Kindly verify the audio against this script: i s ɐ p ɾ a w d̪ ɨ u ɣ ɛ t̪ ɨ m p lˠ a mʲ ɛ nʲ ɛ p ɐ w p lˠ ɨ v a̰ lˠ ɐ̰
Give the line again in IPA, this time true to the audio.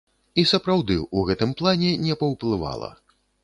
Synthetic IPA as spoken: i s ɐ p ɾ a w d̪ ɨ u ɣ ɛ t̪ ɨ m p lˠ a nʲ ɛ nʲ ɛ p ɐ w p lˠ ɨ v a̰ lˠ ɐ̰